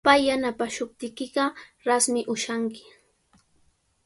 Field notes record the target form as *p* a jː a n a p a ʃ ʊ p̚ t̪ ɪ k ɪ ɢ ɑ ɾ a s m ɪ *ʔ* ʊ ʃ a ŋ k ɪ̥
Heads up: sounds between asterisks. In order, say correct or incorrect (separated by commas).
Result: correct, correct